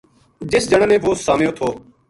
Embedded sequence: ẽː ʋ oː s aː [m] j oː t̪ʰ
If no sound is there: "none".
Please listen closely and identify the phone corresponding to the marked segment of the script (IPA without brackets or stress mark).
m